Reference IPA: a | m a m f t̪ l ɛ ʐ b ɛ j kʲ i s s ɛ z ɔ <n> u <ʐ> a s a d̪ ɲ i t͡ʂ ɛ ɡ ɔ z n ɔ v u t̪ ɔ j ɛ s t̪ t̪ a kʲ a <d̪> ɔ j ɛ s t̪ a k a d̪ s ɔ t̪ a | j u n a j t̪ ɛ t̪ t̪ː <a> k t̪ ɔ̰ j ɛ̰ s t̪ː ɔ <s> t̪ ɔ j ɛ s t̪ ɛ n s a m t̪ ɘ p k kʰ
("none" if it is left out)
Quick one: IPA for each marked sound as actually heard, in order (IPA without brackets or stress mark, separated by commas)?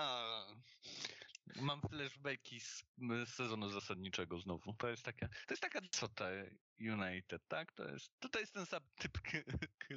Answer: n, z, t̪, a, none